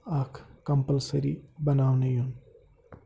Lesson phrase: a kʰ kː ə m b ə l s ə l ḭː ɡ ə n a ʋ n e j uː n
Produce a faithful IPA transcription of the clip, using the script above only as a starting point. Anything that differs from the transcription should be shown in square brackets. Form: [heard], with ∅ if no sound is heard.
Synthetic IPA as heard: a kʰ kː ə m [p] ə l s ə [ɾ] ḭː [b] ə n a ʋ n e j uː n